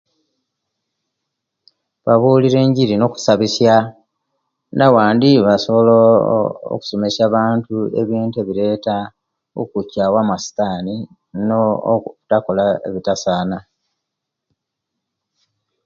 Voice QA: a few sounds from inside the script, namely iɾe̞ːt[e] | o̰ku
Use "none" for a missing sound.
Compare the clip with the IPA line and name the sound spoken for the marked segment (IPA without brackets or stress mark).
a